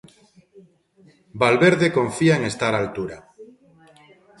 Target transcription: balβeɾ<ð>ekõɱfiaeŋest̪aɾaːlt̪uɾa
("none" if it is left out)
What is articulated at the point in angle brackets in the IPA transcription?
ð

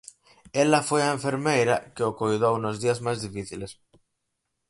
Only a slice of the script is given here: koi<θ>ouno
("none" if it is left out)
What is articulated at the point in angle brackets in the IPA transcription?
ð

